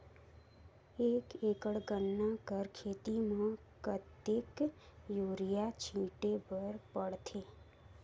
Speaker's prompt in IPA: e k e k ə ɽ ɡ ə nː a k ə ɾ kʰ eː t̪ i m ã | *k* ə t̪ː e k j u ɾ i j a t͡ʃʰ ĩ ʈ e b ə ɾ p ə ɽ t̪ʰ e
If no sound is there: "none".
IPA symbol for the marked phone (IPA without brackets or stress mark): k